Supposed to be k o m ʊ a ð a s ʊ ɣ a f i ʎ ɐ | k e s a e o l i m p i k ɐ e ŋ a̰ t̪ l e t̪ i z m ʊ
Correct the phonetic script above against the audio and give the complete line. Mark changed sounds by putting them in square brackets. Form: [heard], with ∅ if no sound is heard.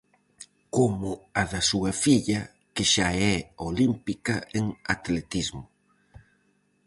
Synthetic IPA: k o m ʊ a ð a s [u] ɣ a f i ʎ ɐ | k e [ʃ] a [ɛ] o l i m p i k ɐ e ŋ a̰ t̪ l e t̪ i z m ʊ